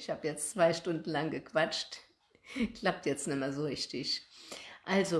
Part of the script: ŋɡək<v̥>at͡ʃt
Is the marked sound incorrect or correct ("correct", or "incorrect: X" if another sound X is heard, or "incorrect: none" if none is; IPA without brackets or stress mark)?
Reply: correct